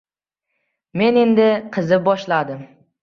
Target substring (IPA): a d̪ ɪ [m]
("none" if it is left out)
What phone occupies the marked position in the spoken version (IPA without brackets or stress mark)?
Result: m